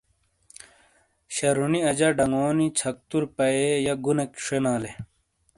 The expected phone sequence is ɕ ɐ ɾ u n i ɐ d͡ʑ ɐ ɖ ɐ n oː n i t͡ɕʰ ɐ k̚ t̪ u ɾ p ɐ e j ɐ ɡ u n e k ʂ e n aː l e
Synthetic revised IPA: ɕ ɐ ɾ u n i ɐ d͡ʑ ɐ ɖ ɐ ŋ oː n i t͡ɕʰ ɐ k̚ t̪ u ɾ p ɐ e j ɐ ɡ u n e k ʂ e n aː l e